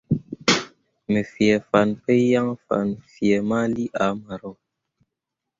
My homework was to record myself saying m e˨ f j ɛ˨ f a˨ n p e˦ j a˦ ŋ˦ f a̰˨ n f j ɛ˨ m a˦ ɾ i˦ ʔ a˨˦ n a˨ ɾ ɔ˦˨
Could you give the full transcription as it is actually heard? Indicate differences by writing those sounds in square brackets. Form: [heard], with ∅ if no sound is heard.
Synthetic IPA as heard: m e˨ f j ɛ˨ f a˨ n p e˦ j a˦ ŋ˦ f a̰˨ n f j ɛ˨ m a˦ [l] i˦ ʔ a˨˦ [m] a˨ ɾ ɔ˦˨